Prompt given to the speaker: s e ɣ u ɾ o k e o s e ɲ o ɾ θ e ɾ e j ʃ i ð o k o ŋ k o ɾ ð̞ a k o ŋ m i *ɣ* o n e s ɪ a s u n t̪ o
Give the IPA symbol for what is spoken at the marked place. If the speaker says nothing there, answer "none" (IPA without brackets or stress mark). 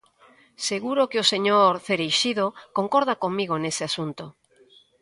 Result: ɣ